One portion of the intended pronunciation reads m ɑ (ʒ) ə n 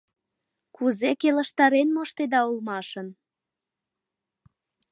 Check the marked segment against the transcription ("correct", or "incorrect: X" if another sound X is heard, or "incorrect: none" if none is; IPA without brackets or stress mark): incorrect: ʃ